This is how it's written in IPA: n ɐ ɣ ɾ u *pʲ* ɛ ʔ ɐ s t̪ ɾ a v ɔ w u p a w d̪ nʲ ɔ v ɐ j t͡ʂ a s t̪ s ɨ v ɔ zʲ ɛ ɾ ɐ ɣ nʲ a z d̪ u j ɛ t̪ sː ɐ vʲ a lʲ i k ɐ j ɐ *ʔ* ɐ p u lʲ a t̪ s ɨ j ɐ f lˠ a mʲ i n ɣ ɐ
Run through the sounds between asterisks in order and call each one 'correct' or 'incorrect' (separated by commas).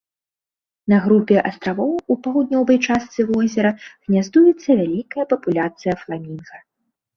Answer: correct, incorrect